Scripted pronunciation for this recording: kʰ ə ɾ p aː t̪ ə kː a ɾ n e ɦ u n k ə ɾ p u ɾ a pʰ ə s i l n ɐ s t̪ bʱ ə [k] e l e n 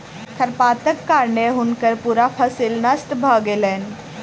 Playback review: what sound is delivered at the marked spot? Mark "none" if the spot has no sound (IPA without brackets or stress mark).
ɡ